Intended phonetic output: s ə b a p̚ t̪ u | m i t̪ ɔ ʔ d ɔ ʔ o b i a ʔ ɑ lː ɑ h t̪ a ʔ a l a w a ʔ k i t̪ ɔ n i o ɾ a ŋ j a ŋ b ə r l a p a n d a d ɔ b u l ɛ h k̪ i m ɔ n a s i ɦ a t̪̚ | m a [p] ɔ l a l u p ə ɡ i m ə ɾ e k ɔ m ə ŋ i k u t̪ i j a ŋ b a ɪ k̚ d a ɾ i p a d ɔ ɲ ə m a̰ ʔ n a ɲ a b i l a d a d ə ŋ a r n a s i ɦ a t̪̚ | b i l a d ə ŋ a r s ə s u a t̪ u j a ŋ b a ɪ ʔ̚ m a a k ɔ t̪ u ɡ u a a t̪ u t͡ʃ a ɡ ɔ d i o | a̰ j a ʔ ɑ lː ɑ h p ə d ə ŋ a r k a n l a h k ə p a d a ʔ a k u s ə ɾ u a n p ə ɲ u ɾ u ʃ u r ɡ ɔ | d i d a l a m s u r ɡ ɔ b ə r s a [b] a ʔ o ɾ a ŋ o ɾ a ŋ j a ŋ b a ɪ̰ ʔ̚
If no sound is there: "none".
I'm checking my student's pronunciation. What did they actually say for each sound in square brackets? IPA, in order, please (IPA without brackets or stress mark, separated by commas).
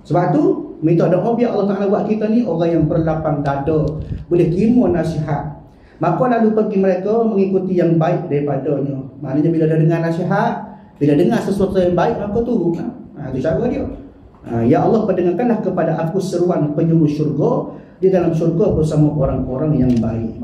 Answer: k, m